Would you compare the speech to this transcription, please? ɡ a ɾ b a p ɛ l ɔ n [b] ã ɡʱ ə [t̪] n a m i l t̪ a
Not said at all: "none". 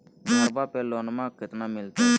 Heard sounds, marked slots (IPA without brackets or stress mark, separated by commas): m, t̪